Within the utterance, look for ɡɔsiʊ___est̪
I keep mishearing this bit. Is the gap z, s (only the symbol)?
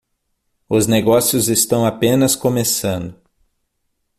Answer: z